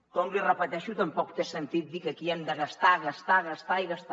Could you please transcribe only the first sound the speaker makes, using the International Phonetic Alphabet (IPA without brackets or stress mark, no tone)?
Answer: k